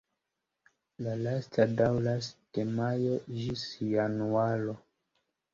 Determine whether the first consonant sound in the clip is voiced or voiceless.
voiced